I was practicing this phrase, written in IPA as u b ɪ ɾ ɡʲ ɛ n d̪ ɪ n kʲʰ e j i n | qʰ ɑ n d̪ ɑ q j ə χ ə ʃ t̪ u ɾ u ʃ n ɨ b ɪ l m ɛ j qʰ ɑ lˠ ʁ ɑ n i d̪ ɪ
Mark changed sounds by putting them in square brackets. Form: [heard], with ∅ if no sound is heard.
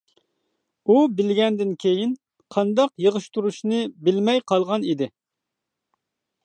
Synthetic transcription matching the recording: u b ɪ [l] ɡʲ ɛ n d̪ ɪ n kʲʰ e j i n | qʰ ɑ n d̪ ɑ q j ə [ʁ] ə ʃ t̪ u ɾ u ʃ n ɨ b ɪ l m ɛ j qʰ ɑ lˠ ʁ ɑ n i d̪ ɪ